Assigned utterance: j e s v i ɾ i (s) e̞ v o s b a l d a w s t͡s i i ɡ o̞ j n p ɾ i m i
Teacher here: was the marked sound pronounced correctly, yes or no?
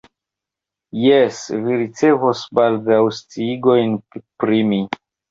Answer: no